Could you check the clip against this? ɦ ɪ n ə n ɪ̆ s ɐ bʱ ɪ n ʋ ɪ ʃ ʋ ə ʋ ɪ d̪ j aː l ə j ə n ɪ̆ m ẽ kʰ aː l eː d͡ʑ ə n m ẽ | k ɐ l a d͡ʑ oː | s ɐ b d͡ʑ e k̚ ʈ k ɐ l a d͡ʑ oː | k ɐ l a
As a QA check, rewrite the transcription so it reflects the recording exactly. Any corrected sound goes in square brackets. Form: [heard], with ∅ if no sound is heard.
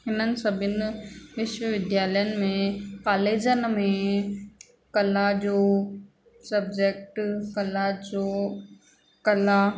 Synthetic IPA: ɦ ɪ n ə n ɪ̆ s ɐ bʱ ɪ n ʋ ɪ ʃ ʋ ə ʋ ɪ d̪ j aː l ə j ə n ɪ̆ m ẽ [k] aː l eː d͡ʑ ə n m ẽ | k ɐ l a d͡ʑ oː | s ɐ b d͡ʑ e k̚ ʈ k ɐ l a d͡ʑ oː | k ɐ l a